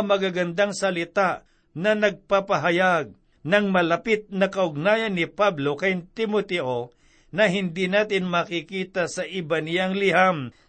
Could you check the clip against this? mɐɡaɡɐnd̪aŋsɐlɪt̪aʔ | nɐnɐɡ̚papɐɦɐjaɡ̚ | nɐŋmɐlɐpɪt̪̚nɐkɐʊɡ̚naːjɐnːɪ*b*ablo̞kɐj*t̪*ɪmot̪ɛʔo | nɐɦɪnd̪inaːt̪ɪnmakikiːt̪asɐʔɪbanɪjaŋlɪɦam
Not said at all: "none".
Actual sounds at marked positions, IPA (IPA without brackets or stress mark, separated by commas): p, t̪